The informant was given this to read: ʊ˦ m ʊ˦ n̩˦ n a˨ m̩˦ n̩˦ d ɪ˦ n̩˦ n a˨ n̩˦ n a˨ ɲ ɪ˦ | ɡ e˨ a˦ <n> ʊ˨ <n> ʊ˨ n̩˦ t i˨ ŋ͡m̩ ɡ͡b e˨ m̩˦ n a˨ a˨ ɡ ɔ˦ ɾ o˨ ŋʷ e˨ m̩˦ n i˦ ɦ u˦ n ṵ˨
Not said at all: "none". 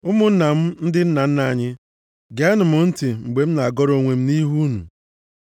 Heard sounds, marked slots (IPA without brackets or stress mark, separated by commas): n, m